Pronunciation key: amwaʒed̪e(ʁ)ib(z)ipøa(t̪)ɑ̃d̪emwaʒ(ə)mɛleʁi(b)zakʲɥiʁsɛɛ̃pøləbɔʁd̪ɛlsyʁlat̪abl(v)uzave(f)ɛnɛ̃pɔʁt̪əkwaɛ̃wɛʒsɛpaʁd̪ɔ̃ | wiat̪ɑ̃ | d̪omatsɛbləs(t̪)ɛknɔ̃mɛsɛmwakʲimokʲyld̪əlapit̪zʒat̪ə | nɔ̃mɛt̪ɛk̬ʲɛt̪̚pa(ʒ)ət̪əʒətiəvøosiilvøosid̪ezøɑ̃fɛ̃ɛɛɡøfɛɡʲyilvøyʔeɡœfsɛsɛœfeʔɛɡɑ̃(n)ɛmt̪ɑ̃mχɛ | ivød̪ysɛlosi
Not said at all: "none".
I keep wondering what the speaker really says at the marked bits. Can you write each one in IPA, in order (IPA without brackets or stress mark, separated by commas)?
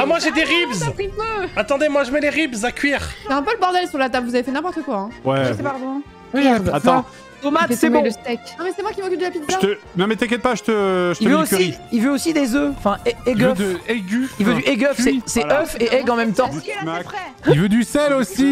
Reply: ʁ, z, t̪, ə, b, v, f, t̪, ʒ, m